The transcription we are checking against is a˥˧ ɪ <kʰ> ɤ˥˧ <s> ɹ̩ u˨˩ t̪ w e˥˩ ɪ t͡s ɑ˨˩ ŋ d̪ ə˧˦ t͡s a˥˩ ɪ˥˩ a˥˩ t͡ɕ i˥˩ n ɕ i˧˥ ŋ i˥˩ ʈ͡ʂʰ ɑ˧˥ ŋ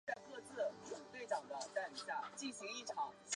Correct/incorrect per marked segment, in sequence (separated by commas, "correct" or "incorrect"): incorrect, incorrect